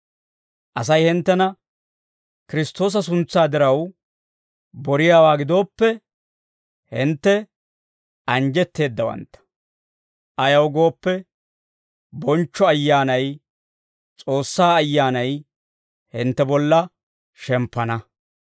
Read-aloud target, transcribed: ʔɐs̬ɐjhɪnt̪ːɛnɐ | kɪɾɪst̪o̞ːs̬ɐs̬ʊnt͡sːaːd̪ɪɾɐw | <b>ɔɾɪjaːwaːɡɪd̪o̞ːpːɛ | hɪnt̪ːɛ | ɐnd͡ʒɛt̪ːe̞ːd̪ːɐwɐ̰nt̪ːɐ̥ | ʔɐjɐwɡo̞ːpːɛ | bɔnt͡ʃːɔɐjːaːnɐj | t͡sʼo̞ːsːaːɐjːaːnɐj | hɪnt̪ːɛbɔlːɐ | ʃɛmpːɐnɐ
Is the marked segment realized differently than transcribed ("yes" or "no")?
no